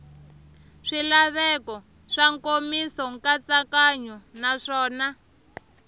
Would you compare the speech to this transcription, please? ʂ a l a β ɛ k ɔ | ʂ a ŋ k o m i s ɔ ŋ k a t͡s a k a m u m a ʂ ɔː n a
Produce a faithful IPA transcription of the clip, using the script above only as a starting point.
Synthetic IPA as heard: ʂ i l a β ɛ k ɔ | ʂ a ŋ k o m i s ɔ ŋ k a t͡s a k a ɲ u n a ʂ ɔː n a